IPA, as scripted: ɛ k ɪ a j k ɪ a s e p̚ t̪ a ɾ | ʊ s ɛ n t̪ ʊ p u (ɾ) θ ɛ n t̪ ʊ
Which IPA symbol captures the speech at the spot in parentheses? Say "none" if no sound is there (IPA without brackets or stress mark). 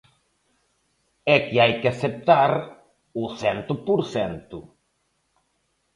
ɾ